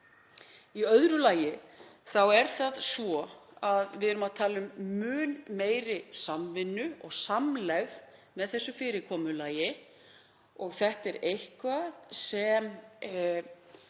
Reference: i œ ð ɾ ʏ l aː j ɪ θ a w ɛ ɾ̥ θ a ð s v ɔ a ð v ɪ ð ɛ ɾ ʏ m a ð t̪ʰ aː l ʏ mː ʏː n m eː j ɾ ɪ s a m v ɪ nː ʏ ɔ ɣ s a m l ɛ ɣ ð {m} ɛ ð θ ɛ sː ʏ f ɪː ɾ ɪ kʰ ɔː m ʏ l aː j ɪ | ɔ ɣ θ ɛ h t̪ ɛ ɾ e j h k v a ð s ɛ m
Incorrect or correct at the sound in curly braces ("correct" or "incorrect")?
correct